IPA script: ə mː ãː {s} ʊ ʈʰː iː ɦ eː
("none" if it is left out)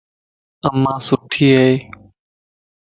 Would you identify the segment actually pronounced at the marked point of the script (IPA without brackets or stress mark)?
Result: s